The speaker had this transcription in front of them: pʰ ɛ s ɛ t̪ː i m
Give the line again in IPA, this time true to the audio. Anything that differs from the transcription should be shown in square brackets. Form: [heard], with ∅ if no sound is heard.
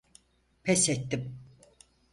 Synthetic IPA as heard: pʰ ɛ s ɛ t̪ː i m